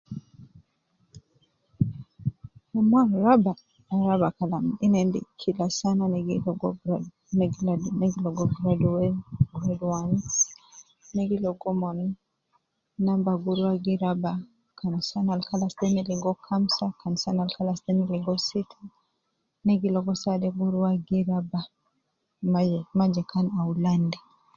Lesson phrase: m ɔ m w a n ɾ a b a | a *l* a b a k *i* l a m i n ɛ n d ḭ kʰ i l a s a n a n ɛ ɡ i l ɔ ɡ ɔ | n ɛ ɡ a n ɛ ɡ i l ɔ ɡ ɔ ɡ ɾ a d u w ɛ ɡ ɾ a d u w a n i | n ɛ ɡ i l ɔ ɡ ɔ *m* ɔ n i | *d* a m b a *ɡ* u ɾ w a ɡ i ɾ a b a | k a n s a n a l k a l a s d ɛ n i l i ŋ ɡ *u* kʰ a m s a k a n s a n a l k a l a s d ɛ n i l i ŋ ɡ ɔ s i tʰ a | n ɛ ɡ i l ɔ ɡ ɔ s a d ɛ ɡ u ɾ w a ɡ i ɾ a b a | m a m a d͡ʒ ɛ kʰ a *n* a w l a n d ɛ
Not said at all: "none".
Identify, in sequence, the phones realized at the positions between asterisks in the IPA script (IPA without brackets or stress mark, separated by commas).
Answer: ɾ, a, m, n, ɡ, ɔ, n